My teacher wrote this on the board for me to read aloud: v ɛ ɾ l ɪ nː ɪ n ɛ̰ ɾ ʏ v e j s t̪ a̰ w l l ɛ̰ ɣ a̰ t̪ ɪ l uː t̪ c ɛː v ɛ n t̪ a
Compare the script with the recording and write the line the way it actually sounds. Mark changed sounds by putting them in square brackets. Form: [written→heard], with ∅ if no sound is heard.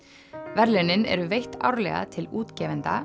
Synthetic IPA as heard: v ɛ ɾ l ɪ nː ɪ n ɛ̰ ɾ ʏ v e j [s→h] t̪ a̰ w [l→ɾ] l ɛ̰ ɣ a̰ [t̪→t̪ʰ] ɪ l uː t̪ c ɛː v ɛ n t̪ a

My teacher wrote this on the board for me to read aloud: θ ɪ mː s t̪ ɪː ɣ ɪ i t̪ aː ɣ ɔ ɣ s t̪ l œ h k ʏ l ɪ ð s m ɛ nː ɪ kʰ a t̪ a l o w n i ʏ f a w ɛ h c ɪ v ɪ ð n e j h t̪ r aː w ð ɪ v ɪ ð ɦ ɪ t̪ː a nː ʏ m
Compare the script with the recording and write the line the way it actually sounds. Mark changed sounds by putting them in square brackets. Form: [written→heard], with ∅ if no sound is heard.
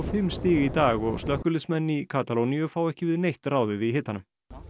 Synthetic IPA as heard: [θ→f] ɪ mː s t̪ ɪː ɣ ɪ i t̪ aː ɣ ɔ ɣ s t̪ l œ h k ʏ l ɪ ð s m ɛ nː [ɪ→i] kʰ a t̪ a l o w n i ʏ f a w ɛ h c ɪ v ɪ ð n e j h t̪ r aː w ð ɪ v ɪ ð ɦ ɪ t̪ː a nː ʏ m

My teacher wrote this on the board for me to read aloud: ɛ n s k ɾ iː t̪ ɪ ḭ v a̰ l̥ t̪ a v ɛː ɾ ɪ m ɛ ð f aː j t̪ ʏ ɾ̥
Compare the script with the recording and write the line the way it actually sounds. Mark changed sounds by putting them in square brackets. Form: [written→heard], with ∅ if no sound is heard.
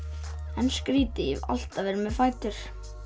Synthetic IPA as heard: ɛ n s k ɾ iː t̪ ɪ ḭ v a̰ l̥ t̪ a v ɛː ɾ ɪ m ɛ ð f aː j t̪ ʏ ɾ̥

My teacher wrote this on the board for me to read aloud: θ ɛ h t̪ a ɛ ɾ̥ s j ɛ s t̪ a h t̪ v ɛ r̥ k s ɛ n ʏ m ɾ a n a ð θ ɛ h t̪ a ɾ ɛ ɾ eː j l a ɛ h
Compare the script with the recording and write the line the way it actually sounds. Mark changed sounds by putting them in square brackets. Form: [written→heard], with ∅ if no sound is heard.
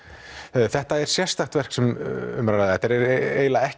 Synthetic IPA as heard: θ ɛ h t̪ a ɛ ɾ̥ s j ɛ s t̪ a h t̪ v ɛ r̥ k s ɛ [n→m] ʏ m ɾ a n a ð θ ɛ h t̪ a ɾ ɛ ɾ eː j l a ɛ h

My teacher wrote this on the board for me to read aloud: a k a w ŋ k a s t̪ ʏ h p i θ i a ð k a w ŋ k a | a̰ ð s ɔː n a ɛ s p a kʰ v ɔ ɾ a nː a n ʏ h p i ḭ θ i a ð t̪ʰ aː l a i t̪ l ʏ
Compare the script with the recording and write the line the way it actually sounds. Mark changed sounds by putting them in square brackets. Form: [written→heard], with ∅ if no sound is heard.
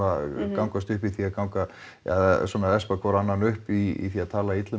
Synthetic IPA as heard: a k a w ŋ k a s t̪ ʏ h p i θ i a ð k a w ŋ k a | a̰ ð s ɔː n a ɛ s p a kʰ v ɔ ɾ a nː a n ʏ h p i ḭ θ i a ð t̪ʰ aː l a i t̪ l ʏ

